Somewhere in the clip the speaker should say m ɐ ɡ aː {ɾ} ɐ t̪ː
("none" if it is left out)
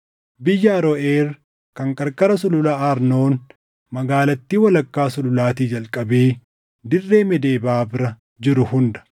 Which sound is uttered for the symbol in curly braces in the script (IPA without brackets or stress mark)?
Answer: l